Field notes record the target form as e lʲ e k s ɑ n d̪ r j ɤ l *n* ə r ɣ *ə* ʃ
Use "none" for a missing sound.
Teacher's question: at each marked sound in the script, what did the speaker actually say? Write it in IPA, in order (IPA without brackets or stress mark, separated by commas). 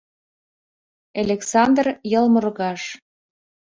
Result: m, ɑ